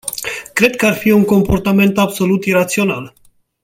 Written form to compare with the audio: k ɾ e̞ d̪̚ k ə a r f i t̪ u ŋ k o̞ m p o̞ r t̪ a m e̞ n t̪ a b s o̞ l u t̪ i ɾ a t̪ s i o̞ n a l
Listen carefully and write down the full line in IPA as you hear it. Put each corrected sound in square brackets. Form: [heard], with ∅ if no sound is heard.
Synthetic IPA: k ɾ e̞ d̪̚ k ə a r f i [∅] u ŋ k o̞ m p o̞ r t̪ a m e̞ n t̪ a b s o̞ l u t̪ i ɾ a t̪ s i o̞ n a l